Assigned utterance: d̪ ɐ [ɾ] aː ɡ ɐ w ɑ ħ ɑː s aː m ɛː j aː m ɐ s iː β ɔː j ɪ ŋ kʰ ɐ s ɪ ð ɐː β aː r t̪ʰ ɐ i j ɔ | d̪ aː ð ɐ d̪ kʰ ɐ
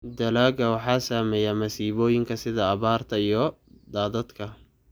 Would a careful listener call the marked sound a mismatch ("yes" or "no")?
yes